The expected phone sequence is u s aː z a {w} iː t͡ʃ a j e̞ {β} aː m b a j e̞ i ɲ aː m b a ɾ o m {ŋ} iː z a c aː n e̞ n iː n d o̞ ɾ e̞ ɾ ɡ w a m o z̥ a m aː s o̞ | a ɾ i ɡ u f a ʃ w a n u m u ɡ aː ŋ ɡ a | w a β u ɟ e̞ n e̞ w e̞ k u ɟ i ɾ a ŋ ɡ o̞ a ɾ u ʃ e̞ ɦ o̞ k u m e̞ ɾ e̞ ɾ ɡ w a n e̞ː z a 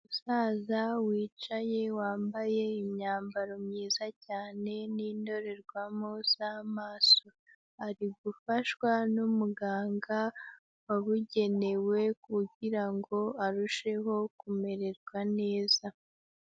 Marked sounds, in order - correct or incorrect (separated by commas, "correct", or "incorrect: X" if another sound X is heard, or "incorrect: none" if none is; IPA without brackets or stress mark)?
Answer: correct, incorrect: w, incorrect: ɲ